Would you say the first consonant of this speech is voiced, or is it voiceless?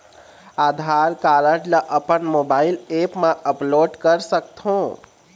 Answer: voiced